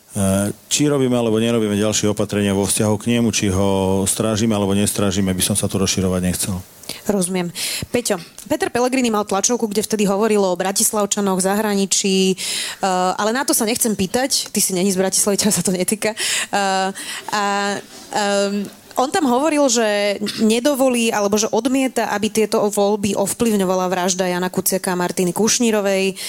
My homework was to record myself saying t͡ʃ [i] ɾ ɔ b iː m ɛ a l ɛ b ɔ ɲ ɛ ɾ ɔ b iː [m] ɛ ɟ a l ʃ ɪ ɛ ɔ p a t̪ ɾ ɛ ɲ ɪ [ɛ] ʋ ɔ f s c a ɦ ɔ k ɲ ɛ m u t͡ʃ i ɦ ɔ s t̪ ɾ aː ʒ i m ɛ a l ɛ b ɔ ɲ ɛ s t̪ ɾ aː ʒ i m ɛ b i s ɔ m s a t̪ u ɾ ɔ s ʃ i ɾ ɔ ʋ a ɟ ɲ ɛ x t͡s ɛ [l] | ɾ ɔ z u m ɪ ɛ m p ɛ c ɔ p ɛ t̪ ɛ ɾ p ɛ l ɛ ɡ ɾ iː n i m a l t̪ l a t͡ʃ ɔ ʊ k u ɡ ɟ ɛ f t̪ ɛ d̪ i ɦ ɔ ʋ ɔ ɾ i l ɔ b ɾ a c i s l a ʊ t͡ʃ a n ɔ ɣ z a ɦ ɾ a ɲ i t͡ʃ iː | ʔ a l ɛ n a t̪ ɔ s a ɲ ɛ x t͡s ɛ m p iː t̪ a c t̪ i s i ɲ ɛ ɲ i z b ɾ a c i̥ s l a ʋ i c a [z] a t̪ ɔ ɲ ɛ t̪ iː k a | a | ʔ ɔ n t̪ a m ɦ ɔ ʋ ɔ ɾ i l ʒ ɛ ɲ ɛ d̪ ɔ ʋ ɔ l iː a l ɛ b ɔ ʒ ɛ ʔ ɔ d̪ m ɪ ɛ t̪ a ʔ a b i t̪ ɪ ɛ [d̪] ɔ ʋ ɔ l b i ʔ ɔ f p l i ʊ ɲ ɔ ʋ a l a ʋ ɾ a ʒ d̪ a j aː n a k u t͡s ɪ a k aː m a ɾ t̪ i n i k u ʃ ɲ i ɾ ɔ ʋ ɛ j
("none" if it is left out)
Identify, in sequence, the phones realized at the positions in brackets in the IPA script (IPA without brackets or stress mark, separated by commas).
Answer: i, m, a, l, s, t̪